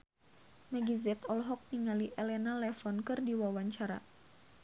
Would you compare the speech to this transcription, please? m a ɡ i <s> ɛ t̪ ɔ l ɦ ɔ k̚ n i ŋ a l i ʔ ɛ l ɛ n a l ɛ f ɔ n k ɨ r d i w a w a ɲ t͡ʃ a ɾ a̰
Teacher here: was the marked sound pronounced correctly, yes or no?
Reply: no